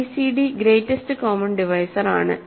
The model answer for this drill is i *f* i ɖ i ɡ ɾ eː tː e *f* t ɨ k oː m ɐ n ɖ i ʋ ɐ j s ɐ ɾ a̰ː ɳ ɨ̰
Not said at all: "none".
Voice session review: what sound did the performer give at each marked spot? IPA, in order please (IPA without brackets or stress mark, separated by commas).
s, s